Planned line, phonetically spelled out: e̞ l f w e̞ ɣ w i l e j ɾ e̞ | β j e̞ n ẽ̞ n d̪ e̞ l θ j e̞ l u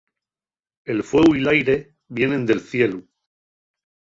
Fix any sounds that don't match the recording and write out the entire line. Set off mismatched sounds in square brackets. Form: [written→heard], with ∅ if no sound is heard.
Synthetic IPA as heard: e̞ l f w e̞ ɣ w i l [e→a] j ɾ e̞ | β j e̞ n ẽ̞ n d̪ e̞ l θ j e̞ l u